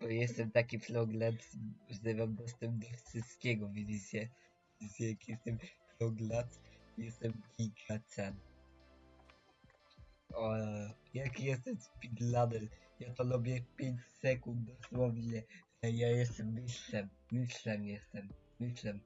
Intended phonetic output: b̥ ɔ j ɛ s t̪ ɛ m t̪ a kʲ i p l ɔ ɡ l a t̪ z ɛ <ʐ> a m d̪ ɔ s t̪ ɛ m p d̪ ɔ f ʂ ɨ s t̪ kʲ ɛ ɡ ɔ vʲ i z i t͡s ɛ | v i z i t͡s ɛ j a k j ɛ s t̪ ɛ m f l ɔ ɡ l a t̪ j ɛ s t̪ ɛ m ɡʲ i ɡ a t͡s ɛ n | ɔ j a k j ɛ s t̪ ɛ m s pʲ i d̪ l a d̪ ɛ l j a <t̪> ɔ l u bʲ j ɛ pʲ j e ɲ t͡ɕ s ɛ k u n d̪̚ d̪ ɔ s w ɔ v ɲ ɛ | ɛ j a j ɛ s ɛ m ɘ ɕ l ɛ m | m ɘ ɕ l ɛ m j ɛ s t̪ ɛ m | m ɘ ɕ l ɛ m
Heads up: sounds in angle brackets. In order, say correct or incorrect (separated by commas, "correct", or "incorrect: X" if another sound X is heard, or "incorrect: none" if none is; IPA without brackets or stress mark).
incorrect: v, correct